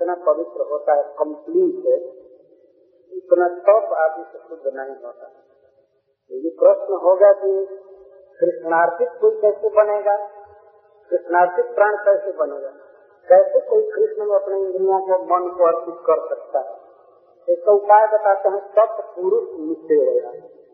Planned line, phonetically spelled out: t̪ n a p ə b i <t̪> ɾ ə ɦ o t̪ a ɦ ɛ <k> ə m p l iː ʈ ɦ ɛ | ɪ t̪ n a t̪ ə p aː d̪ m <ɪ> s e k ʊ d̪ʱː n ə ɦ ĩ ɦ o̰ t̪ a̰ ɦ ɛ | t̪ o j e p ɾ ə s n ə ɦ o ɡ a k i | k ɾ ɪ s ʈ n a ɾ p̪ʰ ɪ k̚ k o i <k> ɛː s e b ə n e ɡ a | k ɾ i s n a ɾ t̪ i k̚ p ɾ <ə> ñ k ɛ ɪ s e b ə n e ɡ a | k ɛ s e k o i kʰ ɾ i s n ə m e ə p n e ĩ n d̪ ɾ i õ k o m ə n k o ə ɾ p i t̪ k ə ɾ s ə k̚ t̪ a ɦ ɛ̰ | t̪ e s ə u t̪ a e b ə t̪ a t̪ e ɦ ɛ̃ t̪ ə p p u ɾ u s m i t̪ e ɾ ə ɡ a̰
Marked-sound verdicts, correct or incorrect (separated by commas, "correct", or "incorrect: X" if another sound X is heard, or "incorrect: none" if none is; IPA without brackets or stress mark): correct, correct, incorrect: i, correct, incorrect: a